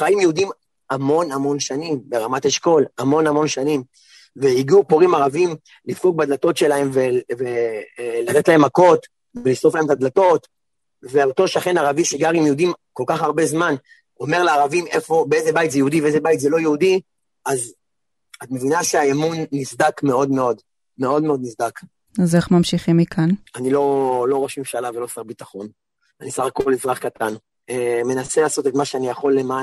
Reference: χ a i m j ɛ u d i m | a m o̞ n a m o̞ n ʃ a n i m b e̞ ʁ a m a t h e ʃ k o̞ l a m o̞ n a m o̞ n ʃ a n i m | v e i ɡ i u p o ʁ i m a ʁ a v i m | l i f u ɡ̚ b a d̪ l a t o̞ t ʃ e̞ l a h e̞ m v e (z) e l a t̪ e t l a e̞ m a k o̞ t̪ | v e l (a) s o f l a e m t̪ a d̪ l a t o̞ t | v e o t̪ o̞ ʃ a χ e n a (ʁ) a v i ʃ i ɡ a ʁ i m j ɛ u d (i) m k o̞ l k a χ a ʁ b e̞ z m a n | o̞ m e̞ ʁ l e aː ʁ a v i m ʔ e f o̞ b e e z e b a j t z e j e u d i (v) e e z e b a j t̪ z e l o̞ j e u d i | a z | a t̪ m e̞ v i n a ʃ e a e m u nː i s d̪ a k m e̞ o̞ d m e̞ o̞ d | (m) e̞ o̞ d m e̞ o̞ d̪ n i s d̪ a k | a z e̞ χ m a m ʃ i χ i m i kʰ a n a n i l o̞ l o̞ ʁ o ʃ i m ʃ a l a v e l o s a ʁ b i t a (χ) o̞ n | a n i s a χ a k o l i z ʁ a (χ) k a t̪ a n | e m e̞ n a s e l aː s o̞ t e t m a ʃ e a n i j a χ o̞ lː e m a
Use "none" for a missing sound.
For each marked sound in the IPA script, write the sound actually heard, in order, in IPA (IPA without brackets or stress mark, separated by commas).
v, i, ʁ, i, v, m, χ, χ